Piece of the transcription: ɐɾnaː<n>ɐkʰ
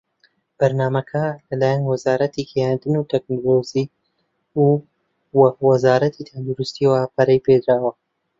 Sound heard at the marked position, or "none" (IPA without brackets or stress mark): m